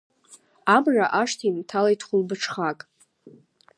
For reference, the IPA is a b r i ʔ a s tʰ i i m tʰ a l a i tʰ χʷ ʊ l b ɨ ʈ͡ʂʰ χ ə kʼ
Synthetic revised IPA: a m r a ʔ a ʂ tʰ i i m tʰ a l a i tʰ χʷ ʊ l b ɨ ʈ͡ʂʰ χ a kʼ

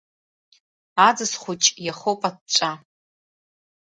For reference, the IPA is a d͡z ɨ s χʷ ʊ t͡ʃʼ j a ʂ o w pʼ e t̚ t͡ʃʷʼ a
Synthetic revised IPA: a d͡z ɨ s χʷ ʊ t͡ʃʼ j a χ o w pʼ a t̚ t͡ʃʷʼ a

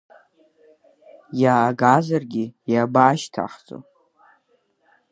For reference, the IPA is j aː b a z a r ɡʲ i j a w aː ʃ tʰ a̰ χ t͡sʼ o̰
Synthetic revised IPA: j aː ɡ a z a r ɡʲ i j a b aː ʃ tʰ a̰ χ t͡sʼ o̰

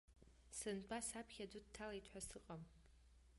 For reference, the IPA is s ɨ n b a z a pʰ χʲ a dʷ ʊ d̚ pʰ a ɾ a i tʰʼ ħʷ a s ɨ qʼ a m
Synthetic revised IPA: s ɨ n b a s a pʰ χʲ a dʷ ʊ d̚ tʰ a l a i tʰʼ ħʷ a s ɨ qʼ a m

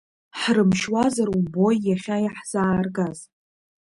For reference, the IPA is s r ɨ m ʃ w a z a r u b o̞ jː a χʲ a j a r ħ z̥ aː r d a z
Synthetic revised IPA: ħ r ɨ m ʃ w a z a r u b o̞ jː a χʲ a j a ħ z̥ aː r ɡ a z

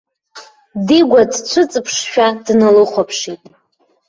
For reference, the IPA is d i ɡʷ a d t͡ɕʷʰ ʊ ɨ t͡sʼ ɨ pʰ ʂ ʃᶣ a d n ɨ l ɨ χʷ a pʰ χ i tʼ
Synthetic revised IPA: d i ɡʷ a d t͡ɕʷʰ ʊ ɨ t͡sʼ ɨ pʰ ʂ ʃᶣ a d n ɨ l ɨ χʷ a pʰ ʂ i tʼ

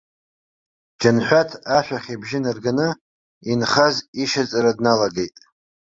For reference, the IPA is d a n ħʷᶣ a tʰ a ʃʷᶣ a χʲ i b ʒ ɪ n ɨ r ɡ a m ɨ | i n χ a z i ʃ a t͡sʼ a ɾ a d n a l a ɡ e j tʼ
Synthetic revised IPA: d͡ʒ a n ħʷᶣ a tʰ a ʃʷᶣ a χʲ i b ʒ ɪ n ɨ r ɡ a n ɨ | i n χ a z i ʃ a t͡sʼ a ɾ a d n a l a ɡ e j tʼ

